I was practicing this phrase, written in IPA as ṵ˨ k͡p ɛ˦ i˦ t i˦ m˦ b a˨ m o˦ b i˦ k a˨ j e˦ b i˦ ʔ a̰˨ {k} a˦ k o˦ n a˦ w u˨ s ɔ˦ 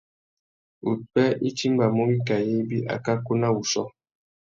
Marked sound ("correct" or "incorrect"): correct